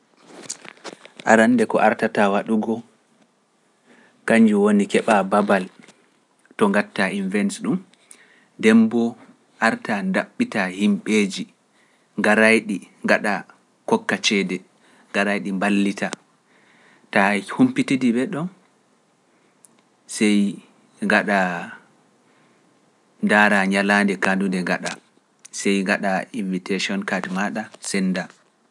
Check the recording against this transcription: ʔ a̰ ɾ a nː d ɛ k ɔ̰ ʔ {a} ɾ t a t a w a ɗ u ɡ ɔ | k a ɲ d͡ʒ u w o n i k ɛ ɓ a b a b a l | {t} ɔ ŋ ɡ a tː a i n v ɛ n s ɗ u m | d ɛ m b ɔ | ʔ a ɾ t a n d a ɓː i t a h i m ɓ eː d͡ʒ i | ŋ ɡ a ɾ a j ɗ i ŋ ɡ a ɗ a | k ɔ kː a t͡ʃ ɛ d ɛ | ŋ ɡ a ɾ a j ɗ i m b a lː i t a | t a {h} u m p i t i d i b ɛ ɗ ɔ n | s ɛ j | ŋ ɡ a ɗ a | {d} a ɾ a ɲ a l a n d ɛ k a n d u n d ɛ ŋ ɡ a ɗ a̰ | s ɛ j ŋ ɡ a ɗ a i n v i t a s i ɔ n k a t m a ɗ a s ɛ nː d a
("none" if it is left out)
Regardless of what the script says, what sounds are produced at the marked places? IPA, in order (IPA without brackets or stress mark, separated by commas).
a, t, h, d